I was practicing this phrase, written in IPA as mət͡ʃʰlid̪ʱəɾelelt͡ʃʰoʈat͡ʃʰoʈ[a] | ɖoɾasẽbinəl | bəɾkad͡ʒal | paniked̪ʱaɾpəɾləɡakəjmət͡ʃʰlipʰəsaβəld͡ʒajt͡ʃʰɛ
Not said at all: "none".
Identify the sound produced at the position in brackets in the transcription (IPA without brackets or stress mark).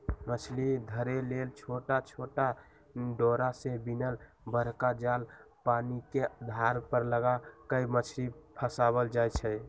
a